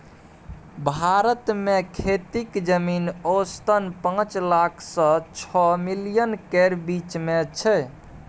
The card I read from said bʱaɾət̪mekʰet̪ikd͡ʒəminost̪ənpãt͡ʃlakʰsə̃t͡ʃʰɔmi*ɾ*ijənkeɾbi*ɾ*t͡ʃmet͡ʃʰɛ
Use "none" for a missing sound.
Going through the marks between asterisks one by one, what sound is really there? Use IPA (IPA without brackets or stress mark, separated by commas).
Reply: l, none